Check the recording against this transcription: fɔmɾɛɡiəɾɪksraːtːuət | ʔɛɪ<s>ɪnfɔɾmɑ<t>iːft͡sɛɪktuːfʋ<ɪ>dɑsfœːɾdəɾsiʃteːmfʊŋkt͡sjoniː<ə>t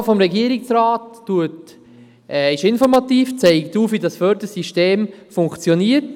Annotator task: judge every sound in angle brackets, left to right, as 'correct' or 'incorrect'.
incorrect: ʃ, correct, incorrect: i, correct

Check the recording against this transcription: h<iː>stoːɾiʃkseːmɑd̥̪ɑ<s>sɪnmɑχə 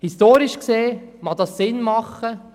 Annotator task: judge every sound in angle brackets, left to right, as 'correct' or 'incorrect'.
incorrect: i, correct

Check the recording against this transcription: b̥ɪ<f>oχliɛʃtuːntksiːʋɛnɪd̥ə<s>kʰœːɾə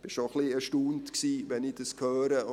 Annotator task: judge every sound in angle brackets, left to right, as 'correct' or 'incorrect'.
incorrect: ʃ, correct

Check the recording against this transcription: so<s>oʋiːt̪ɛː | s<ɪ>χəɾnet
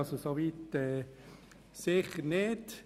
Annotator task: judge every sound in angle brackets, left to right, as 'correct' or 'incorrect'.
correct, correct

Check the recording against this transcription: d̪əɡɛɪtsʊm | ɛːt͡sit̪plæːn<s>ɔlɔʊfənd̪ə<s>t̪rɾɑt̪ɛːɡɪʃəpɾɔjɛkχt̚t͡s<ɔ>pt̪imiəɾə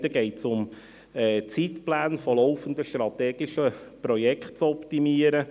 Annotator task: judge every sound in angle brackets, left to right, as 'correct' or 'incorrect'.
incorrect: f, incorrect: ʃ, correct

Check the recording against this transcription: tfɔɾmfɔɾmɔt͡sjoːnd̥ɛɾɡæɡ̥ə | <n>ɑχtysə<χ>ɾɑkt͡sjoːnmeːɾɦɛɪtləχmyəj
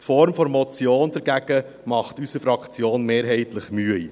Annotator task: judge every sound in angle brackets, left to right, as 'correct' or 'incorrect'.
incorrect: m, incorrect: f

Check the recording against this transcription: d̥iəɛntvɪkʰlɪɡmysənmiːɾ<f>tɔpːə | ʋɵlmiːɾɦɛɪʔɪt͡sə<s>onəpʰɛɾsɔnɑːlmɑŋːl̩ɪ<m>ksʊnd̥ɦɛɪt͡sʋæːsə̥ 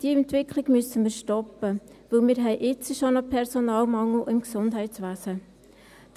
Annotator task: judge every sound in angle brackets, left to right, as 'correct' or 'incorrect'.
incorrect: ʃ, incorrect: ʃ, correct

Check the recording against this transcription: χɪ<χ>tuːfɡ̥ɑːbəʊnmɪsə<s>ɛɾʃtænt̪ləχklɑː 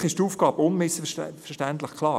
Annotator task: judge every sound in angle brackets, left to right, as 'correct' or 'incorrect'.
incorrect: ʃ, incorrect: f

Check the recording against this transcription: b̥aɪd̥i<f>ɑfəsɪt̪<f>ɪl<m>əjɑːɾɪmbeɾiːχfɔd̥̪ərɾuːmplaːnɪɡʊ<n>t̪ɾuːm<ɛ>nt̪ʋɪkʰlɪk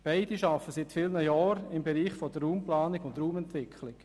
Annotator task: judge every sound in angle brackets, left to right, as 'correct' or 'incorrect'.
incorrect: ʃ, correct, incorrect: n, correct, correct

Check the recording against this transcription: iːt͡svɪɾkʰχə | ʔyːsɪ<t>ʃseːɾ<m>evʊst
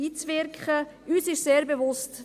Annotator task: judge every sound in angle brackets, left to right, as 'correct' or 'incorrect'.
incorrect: none, incorrect: b

